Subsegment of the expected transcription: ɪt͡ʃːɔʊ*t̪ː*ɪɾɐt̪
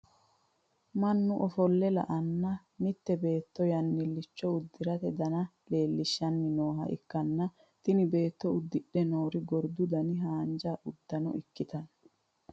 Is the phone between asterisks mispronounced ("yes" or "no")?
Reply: yes